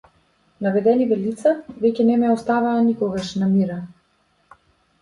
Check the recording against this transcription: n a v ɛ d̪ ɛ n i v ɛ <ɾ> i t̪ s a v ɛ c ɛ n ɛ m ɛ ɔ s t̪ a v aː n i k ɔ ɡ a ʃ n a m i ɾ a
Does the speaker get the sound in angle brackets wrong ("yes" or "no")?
yes